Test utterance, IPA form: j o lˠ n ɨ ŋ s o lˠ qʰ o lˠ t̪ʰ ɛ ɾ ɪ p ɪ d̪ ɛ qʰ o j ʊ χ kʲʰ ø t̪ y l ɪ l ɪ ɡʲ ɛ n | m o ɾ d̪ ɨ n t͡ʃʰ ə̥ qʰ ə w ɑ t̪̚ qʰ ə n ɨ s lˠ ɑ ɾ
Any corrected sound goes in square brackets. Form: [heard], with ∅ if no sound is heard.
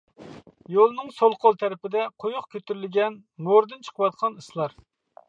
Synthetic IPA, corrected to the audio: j o lˠ n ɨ ŋ s o lˠ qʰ o lˠ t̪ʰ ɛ ɾ ɪ p ɪ d̪ ɛ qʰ o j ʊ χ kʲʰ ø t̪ y [ɾ] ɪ l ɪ ɡʲ ɛ n | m o ɾ d̪ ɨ n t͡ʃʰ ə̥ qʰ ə w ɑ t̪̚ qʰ [ɑ] n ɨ s lˠ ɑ ɾ